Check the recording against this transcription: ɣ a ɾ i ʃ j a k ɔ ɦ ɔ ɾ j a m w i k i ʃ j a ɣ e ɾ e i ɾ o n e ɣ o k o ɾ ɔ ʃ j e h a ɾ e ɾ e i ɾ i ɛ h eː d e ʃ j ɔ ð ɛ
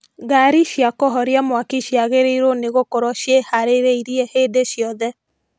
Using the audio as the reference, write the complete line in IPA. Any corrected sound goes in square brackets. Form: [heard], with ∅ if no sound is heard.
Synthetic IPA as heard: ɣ a ɾ i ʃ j a k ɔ ɦ ɔ ɾ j a m w [a] k i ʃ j a ɣ e ɾ e i ɾ o n e ɣ o k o ɾ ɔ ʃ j e h a ɾ e ɾ e i ɾ i ɛ h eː d e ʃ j ɔ ð ɛ